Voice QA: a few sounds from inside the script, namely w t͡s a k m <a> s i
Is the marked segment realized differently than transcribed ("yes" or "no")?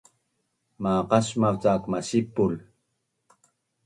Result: no